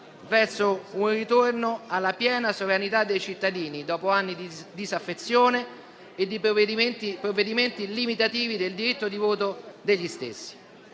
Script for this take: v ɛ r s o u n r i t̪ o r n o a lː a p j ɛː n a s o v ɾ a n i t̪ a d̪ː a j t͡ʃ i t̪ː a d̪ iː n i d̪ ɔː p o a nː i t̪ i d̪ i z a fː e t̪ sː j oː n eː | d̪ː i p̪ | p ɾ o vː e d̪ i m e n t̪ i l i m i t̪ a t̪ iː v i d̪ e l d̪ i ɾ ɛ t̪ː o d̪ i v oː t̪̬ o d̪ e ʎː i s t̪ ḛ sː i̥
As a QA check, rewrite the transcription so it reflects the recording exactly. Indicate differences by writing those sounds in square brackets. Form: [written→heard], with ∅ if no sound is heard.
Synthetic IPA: v ɛ r s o u n r i t̪ o r n o a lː a p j ɛː n a s o v ɾ a n i t̪ a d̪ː [a→e] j t͡ʃ i t̪ː a d̪ iː n i d̪ ɔː p o a nː i [t̪→d̪] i d̪ i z a fː e t̪ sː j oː n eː | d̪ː i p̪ | p ɾ o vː e d̪ i m e n t̪ i l i m i t̪ a t̪ iː v i d̪ e l d̪ i ɾ [ɛ→i] t̪ː o d̪ i v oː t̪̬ o d̪ e ʎː i s t̪ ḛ sː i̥